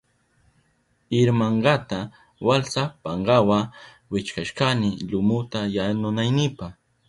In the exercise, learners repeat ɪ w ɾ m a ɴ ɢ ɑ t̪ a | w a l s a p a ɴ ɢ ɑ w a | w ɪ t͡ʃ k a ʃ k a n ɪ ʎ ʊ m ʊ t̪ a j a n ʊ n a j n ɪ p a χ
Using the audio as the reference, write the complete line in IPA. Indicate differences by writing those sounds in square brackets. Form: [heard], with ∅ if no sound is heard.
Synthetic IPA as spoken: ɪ [∅] ɾ m a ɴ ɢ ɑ t̪ a | w a l s a p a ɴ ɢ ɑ w a | w ɪ t͡ʃ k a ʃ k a n ɪ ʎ ʊ m ʊ t̪ a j a n ʊ n a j n ɪ p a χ